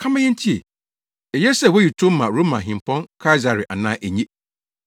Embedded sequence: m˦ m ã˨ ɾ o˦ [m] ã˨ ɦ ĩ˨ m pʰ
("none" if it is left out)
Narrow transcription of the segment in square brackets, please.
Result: m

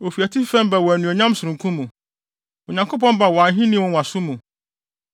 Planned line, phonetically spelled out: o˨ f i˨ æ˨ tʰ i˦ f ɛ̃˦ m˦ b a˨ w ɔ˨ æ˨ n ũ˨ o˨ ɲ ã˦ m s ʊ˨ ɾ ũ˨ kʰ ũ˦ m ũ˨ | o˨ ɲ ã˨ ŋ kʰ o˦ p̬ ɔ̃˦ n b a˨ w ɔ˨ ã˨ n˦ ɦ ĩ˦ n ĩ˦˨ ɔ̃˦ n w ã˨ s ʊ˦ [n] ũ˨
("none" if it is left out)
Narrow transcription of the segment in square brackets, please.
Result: m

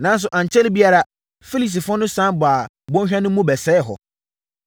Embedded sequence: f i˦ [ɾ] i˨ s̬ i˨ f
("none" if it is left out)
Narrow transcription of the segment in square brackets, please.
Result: l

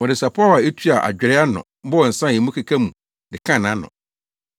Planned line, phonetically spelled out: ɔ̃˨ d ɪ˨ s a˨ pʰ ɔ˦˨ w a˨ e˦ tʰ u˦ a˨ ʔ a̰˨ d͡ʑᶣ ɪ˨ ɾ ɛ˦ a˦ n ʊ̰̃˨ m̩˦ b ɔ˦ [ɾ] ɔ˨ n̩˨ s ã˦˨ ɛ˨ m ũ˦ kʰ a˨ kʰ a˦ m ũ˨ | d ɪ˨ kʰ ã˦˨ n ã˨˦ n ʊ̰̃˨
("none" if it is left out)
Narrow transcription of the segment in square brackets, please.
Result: none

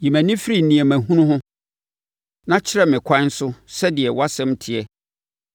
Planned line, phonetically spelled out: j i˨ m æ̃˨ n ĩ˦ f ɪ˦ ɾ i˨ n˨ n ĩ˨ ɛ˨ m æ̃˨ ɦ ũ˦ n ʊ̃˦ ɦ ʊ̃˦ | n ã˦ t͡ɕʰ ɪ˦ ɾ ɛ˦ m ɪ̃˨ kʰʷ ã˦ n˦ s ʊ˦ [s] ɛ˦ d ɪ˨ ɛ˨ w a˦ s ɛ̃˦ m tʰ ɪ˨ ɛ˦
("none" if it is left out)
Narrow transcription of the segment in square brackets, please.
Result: s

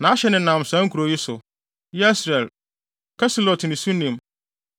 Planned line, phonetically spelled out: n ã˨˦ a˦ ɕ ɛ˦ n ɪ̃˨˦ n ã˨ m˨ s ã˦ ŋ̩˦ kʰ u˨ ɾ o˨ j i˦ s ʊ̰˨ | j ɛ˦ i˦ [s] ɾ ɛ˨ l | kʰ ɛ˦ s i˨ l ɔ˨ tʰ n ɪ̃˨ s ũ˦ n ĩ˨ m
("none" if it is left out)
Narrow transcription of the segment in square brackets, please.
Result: s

